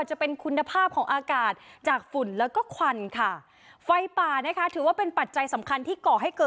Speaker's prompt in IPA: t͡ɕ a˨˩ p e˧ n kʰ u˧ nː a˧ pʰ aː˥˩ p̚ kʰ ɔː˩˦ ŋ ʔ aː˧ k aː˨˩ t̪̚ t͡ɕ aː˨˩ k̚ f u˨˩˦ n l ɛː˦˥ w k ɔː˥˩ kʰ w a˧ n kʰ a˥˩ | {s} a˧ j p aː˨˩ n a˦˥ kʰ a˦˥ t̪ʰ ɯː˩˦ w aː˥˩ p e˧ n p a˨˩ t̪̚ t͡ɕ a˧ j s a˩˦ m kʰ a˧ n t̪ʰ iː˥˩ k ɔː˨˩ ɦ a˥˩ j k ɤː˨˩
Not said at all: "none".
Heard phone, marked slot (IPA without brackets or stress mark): f